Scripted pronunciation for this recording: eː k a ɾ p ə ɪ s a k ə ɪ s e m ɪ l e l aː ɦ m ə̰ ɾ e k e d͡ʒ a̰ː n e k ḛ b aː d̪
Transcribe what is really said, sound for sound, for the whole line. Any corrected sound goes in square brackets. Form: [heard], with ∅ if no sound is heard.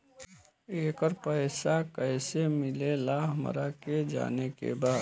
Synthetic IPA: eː k [ə] ɾ p ə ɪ s a k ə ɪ s e m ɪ l e l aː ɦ m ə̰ ɾ [a] k e d͡ʒ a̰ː n e k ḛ b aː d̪